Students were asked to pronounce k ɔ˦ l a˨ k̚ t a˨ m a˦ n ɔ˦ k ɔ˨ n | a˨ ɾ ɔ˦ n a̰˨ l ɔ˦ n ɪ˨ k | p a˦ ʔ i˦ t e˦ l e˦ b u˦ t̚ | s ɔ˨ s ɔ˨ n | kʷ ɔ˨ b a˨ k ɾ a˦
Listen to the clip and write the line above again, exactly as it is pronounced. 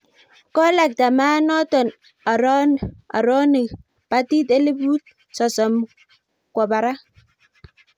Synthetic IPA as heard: k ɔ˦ l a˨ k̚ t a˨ m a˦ n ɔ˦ t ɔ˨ n | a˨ ɾ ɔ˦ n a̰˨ ɾ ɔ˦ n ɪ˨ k | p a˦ t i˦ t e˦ l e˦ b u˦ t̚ | s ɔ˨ s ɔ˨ m | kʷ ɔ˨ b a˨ ɾ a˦